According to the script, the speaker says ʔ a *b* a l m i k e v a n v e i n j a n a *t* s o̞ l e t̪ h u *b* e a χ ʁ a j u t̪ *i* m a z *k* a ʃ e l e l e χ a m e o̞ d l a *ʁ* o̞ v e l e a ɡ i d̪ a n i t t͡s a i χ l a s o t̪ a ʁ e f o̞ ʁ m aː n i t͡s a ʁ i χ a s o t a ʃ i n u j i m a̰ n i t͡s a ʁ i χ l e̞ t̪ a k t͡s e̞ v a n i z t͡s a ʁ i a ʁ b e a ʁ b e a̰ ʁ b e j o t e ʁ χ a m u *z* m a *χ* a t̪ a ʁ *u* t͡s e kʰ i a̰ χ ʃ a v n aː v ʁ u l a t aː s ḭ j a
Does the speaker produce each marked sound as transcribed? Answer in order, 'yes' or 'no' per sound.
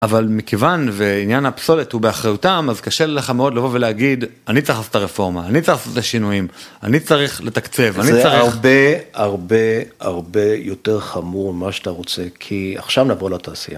no, no, yes, no, yes, no, no, no, no

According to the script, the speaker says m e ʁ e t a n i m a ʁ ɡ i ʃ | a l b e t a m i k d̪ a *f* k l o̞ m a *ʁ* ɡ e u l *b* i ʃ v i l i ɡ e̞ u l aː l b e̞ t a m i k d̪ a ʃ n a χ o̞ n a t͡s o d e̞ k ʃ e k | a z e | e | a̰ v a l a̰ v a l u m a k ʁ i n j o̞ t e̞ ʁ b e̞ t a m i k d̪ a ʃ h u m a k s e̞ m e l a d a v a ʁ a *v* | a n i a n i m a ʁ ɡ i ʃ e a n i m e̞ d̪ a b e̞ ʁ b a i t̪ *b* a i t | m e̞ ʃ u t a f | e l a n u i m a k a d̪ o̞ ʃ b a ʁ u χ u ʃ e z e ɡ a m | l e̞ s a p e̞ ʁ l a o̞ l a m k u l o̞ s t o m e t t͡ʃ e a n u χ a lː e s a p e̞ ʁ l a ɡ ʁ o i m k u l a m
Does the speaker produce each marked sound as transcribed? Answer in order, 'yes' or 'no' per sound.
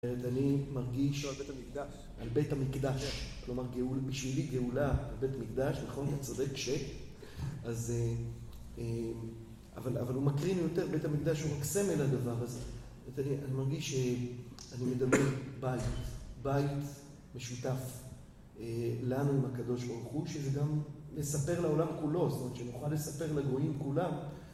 no, yes, yes, no, yes

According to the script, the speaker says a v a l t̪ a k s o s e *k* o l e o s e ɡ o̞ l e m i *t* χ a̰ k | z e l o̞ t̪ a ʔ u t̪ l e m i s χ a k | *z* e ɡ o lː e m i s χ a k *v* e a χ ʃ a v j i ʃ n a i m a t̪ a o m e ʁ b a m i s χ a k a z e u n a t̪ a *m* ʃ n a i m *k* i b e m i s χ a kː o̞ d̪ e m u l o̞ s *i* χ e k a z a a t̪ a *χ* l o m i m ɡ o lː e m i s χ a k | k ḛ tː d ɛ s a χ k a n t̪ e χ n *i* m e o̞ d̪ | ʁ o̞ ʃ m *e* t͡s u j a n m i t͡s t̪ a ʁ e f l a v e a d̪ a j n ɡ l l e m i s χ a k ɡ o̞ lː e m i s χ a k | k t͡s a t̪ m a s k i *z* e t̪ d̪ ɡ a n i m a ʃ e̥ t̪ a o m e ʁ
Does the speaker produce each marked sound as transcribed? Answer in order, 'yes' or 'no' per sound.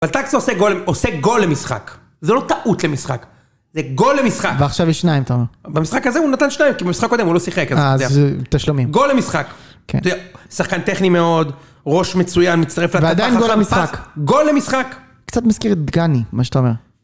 no, no, yes, yes, no, yes, yes, no, yes, yes, no

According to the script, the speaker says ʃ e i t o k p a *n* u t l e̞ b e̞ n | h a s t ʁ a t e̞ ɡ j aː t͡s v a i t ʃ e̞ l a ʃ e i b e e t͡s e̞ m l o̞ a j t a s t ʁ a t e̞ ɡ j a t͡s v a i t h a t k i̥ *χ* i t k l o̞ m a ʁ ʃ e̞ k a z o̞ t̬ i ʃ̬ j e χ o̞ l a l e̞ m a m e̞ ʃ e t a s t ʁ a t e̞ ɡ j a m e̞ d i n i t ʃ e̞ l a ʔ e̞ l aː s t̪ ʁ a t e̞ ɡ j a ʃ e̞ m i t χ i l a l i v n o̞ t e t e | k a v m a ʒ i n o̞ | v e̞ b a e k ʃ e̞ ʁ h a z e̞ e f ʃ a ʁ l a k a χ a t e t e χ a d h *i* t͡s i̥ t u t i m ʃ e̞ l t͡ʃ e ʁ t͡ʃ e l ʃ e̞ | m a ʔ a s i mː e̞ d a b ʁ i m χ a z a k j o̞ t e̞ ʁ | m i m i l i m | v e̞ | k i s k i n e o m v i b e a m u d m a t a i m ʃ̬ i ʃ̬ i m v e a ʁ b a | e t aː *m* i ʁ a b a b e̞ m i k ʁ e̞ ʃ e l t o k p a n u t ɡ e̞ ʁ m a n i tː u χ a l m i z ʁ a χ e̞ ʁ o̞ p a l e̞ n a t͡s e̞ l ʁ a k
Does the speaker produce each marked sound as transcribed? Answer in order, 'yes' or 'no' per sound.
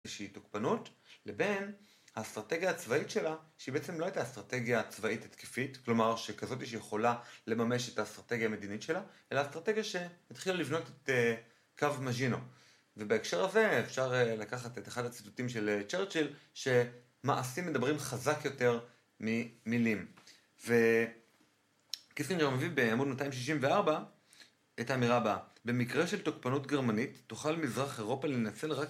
yes, no, no, yes

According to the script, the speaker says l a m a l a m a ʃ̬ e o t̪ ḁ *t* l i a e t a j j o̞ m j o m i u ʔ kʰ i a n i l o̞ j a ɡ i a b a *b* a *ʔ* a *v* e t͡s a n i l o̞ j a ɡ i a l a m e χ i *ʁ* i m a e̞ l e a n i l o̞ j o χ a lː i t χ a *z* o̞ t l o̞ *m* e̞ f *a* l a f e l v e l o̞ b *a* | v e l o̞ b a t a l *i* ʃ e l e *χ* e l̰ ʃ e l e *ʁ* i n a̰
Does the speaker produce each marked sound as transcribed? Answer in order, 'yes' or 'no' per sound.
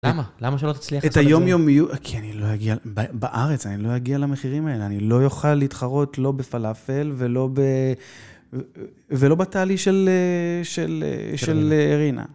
no, yes, yes, no, yes, no, no, yes, no, yes, no, yes

